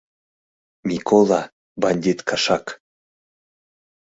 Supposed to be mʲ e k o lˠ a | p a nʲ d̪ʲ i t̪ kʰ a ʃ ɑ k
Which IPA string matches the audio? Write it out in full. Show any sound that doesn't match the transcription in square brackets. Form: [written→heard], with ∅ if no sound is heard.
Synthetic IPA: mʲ [e→i] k o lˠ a | [p→b] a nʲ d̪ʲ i t̪ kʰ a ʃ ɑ k